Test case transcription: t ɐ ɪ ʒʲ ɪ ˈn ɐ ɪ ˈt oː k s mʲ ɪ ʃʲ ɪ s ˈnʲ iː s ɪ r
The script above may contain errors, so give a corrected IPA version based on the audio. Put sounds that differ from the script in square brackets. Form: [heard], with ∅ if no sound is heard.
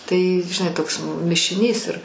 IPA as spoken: t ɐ ɪ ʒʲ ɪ ˈn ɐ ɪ ˈt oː k s mʲ ɪ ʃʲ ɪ [∅] ˈnʲ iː s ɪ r